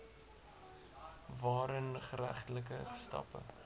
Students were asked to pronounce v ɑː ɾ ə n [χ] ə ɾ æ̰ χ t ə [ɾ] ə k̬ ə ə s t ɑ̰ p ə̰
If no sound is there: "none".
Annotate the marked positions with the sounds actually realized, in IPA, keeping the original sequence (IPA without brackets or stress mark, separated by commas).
χ, l